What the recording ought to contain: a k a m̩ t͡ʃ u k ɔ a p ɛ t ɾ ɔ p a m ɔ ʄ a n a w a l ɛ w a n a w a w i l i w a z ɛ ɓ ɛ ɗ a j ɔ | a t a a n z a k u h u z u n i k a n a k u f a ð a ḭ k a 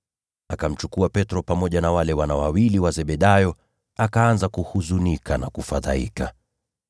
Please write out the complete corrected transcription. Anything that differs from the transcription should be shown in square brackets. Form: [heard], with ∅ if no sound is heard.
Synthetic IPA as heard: a k a m̩ t͡ʃ u k [u] a p ɛ t ɾ ɔ p a m ɔ ʄ a n a w a l ɛ w a n a w a w i l i w a z ɛ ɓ ɛ ɗ a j ɔ | a [k] a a n z a k u h u z u n i k a n a k u f a ð a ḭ k a